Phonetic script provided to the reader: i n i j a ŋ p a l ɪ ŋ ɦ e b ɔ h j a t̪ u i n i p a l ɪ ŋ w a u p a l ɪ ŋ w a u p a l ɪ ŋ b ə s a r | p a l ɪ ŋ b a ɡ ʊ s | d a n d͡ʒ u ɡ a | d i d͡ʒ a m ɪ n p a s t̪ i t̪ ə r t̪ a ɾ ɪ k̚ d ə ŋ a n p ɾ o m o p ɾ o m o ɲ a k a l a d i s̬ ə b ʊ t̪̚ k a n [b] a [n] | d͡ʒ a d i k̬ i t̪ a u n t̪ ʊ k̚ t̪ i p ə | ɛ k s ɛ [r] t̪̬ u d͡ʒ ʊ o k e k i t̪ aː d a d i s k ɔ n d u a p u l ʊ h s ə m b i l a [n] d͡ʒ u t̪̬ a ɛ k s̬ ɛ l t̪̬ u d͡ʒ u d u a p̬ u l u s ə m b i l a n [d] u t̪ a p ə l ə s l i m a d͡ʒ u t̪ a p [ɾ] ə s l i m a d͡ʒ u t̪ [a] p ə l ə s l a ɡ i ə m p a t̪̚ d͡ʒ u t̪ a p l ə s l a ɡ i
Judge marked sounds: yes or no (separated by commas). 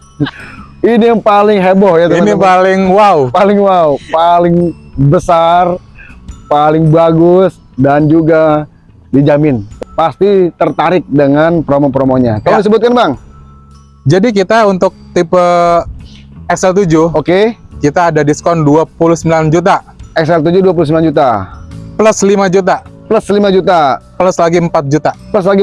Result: yes, no, no, yes, no, no, yes